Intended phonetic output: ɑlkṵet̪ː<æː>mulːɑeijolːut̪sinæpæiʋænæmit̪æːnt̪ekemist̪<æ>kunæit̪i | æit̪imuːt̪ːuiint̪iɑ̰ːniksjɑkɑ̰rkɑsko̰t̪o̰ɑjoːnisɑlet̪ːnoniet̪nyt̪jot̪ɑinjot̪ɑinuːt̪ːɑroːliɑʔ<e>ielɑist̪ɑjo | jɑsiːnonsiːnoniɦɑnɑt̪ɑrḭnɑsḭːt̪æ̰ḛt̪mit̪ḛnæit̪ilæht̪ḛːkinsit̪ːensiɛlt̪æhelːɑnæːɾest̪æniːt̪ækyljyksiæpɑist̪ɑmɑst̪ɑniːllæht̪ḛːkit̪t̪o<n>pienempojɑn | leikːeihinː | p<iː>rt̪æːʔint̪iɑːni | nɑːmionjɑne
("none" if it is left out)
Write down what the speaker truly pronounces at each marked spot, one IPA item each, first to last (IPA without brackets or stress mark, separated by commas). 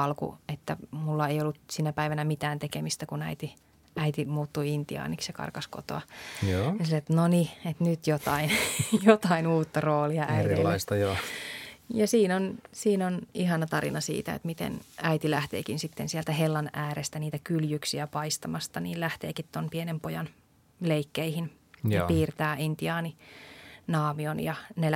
æ, æ, æ, n, iː